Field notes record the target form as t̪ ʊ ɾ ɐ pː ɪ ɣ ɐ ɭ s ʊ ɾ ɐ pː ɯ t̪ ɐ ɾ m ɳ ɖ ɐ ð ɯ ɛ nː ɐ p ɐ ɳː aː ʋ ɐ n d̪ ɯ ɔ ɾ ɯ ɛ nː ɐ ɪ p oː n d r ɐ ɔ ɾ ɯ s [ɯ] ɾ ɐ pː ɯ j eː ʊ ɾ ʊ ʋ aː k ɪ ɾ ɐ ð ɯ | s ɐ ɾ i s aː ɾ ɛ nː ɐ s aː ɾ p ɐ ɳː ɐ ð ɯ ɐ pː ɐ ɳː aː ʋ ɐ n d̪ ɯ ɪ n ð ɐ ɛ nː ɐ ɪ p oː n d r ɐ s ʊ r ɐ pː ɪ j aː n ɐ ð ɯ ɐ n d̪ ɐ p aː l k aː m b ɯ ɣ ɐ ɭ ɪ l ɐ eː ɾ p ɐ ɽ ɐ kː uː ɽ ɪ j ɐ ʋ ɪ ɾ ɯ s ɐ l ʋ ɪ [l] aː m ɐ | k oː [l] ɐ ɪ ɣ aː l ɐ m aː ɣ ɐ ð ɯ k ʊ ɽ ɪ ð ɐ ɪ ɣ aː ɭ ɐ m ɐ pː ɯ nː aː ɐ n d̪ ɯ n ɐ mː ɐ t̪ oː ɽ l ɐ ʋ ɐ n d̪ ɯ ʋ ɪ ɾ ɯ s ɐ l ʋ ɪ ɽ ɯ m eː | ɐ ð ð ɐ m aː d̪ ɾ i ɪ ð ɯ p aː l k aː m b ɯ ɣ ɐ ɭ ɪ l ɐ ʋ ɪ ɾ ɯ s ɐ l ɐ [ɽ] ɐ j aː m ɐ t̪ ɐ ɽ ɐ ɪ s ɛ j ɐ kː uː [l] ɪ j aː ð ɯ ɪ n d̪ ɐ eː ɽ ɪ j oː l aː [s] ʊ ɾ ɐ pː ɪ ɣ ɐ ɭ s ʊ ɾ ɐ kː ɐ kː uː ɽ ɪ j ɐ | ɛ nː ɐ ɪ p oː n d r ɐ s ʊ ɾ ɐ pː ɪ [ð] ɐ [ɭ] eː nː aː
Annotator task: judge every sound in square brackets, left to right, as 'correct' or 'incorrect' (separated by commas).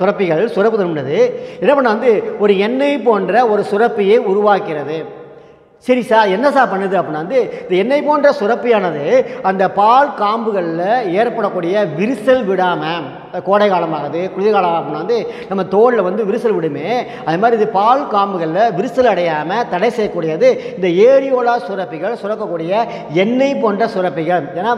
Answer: incorrect, incorrect, incorrect, correct, incorrect, correct, incorrect, correct